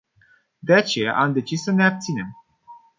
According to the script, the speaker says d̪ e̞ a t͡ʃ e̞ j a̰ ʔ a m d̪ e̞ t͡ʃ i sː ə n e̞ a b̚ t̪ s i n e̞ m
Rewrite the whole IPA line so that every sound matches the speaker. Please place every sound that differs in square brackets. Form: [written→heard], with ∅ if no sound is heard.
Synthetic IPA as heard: d̪ e̞ a t͡ʃ e̞ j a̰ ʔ a m d̪ e̞ t͡ʃ i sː ə n e̞ a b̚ t̪ s i n e̞ m